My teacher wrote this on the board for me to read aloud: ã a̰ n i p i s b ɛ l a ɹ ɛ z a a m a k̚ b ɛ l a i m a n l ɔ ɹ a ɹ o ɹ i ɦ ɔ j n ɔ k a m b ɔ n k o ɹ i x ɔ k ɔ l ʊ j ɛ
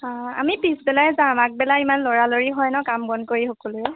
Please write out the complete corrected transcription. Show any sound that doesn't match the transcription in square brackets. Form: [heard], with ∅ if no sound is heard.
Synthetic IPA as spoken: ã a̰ [m] i p i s b ɛ l a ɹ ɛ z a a m a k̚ b ɛ l a i m a n l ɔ ɹ a [l] o ɹ i ɦ ɔ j n ɔ k a m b ɔ n k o ɹ i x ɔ k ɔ l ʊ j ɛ